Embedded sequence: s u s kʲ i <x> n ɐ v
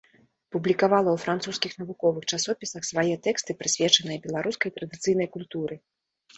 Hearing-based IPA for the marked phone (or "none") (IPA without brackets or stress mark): x